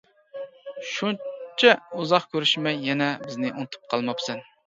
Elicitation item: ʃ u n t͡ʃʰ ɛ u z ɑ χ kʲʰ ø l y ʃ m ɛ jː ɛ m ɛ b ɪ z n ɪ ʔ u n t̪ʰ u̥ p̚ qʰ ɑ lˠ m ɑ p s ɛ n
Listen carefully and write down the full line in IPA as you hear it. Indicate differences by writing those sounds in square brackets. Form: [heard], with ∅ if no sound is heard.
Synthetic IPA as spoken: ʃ u n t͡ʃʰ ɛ u z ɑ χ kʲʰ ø [ɾ] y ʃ m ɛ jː ɛ [n] ɛ b ɪ z n ɪ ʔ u n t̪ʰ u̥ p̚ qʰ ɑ lˠ m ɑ p s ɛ n